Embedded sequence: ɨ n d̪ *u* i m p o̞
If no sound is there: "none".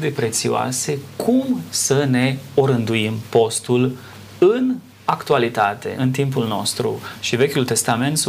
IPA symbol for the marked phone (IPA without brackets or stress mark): u